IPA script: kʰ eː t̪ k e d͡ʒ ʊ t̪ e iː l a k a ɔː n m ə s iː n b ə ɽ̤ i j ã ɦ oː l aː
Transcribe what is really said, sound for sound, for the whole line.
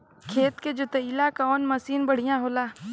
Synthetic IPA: kʰ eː t̪ k e d͡ʒ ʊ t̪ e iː l a k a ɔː n m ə s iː n b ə ɽ̤ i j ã ɦ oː l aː